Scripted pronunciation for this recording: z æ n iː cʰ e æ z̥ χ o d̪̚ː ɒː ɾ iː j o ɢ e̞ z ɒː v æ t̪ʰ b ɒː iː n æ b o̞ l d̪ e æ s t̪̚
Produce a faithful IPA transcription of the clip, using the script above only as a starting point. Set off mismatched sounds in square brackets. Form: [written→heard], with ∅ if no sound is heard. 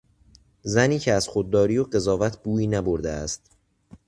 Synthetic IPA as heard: z æ n iː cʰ e æ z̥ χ o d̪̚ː ɒː ɾ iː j o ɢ e̞ z ɒː v æ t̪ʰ b [ɒː→uː] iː n æ b o̞ [l→ɾ] d̪ e æ s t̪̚